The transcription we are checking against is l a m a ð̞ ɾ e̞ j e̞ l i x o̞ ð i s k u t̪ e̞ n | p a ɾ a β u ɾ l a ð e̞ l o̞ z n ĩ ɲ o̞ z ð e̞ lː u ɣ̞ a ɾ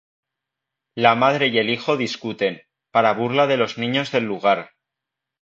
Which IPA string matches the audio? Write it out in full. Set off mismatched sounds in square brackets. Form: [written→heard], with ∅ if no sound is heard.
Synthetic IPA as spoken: l a m a ð̞ ɾ e̞ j e̞ l i x o̞ ð i s k u t̪ e̞ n | p a ɾ a β u ɾ l a ð e̞ l o̞ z n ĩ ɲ o̞ z ð e̞ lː u ɣ̞ a ɾ